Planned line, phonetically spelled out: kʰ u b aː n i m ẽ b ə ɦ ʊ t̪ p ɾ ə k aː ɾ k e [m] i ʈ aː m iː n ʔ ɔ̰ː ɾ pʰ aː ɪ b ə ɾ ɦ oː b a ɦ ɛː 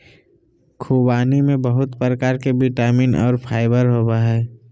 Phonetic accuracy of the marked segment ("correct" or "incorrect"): incorrect